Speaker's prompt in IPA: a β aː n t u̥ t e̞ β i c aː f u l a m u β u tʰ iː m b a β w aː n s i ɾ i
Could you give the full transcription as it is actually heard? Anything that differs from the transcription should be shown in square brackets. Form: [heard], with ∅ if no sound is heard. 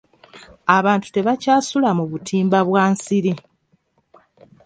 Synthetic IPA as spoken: a β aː n t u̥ t e̞ β [a] c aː [s] u l a m u β u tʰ iː m b a β w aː n s i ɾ i